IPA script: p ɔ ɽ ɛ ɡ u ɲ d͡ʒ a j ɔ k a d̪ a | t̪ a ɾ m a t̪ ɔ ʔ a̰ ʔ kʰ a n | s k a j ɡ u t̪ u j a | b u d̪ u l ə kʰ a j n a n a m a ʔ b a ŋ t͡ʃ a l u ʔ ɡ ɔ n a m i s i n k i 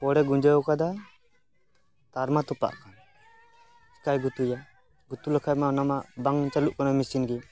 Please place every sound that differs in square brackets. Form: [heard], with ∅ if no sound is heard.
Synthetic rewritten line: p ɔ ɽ ɛ ɡ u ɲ d͡ʒ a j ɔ k a d̪ a | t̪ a ɾ m a t̪ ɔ [p] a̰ ʔ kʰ a n | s k a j ɡ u t̪ u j a | [ɡ] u [t̪] u l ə kʰ a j [m] a n a m a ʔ b a ŋ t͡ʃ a l u ʔ [k] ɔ n a m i s i n [ɡ] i